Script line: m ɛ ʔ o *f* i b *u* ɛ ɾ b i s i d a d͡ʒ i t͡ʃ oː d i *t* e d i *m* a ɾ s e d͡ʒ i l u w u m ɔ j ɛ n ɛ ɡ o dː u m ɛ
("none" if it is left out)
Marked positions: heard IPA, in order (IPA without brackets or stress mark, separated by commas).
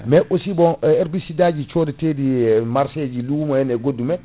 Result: s, ɔ, t, m